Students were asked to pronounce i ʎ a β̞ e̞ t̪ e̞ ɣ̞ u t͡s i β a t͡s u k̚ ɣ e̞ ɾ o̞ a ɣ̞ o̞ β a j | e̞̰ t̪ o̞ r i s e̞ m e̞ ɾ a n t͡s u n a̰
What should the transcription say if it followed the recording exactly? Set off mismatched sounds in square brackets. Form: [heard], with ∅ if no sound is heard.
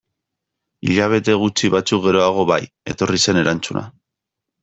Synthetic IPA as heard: i ʎ a β̞ e̞ t̪ e̞ ɣ̞ u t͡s i β a t͡s u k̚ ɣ e̞ ɾ o̞ a ɣ̞ o̞ β a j | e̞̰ t̪ o̞ r i s e̞ [n] e̞ ɾ a n t͡s u n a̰

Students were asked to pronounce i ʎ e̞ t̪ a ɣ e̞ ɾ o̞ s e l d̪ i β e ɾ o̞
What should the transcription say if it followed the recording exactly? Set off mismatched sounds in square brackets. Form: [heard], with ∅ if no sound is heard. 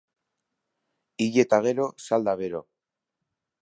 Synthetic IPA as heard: i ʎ e̞ t̪ a ɣ e̞ ɾ o̞ s [a] l d̪ [a] β e ɾ o̞

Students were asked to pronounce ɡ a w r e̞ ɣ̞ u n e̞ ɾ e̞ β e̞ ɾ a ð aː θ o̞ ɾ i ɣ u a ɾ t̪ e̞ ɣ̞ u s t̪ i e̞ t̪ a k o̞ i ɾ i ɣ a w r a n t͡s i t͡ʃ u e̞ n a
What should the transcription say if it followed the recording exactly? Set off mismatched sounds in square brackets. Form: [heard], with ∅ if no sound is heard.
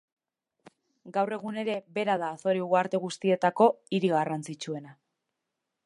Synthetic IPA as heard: ɡ a w r e̞ ɣ̞ u n e̞ ɾ e̞ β e̞ ɾ a ð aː θ o̞ ɾ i ɣ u a ɾ t̪ e̞ ɣ̞ u s t̪ i e̞ t̪ a k o̞ i ɾ i ɣ a [∅] r a n t͡s i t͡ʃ u e̞ n a

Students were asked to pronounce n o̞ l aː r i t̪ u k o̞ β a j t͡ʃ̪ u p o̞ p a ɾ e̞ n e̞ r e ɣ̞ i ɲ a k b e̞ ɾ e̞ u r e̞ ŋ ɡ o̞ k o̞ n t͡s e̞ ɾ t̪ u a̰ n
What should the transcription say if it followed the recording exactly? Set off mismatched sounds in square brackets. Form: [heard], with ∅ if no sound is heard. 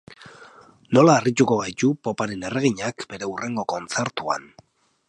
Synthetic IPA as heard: n o̞ l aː r i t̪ u k o̞ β a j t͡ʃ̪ u p o̞ p a ɾ e̞ n e̞ r e ɣ̞ i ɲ a k b e̞ ɾ e̞ u r e̞ ŋ ɡ o̞ k o̞ n t͡s e̞ ɾ t̪ u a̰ n

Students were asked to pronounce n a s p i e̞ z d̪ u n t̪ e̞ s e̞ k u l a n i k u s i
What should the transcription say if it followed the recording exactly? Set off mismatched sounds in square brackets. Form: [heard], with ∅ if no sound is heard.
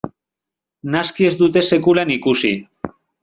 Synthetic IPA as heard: n a s [k] i e̞ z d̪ u [∅] t̪ e̞ s e̞ k u l a n i k u s i

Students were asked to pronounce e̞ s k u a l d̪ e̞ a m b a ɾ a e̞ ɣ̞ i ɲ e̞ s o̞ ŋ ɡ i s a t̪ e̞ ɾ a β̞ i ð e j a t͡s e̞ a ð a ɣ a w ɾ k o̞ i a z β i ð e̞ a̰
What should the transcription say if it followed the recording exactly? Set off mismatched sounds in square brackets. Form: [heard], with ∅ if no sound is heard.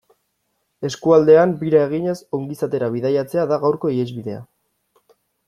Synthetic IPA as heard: e̞ s k u a l d̪ e̞ a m b [i] ɾ a e̞ ɣ̞ i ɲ e̞ s o̞ ŋ ɡ i s a t̪ e̞ ɾ a β̞ i ð [a] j a t͡s e̞ a ð a ɣ a w ɾ k o̞ i [e] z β i ð e̞ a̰

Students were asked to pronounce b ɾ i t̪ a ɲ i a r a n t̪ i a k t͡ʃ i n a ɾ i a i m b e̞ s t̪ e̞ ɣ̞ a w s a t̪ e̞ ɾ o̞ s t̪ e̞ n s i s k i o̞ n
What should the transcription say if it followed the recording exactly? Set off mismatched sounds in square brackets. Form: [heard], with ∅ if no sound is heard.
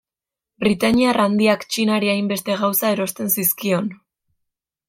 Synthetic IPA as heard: b ɾ i t̪ a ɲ i a r a n [d̪] i a k t͡ʃ i n a ɾ i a [j] m b e̞ s t̪ e̞ ɣ̞ a w s a [∅] e̞ ɾ o̞ s t̪ e̞ n s i s k i o̞ n

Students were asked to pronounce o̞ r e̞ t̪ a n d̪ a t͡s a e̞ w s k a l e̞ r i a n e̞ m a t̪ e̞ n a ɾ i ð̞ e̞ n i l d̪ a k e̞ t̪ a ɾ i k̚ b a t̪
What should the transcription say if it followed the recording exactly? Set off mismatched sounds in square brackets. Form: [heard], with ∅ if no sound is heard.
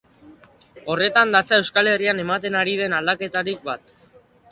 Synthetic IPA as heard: o̞ r e̞ t̪ a n d̪ a t͡s a e̞ w s k a l e̞ r i a n e̞ m a t̪ e̞ n a ɾ i ð̞ e̞ n [a] l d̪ a k e̞ t̪ a ɾ i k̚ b a t̪

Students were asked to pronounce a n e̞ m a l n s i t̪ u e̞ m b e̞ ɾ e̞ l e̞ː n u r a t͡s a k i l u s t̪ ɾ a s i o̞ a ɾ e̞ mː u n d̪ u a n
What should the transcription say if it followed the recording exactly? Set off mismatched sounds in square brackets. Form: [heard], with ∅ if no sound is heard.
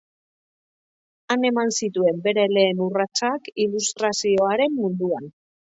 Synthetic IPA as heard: a n e̞ m a [∅] n s i t̪ u e̞ m b e̞ ɾ e̞ l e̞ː n u r a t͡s a k i l u s t̪ ɾ a s i o̞ a ɾ e̞ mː u n d̪ u a n

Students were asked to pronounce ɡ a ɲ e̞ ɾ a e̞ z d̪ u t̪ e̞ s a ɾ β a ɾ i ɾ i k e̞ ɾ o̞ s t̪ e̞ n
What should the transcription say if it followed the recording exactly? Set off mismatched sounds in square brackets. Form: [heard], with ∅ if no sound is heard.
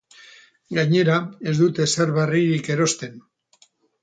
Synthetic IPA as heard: ɡ a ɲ e̞ ɾ a e̞ z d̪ u t̪ e̞ s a ɾ β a [r] i ɾ i k e̞ ɾ o̞ s t̪ e̞ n

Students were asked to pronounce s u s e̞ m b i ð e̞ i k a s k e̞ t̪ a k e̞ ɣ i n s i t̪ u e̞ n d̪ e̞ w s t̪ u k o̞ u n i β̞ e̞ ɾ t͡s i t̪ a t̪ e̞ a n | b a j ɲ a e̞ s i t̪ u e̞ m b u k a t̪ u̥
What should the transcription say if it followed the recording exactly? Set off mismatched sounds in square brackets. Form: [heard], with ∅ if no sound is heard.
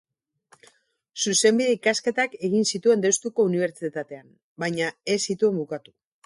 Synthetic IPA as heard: s u s e̞ m b i ð e̞ i k a s k e̞ t̪ a k e̞ ɣ i n s i t̪ u e̞ n d̪ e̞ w s t̪ u k o̞ u n i β̞ e̞ ɾ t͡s i t̪ a t̪ e̞ a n | b a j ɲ a e̞ s i t̪ u e̞ m b u k a t̪ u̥

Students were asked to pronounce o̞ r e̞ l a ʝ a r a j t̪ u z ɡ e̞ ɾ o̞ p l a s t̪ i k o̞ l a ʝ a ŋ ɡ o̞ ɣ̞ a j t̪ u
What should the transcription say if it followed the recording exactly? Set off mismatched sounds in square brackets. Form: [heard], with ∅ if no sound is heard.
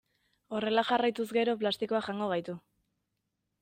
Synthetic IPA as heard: o̞ r e̞ l a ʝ a r a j t̪ u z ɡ e̞ ɾ o̞ p l a s t̪ i k o̞ [∅] a ʝ a ŋ ɡ o̞ ɣ̞ a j t̪ u

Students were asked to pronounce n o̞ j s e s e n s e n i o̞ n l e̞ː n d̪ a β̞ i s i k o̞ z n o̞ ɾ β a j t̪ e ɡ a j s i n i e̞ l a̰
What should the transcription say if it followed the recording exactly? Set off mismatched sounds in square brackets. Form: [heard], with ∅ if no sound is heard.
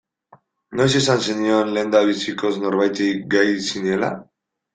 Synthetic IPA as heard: n o̞ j s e s [a] n s e n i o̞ n l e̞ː n d̪ a β̞ i s i k o̞ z n o̞ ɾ β a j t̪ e ɡ a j s i n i e̞ l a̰

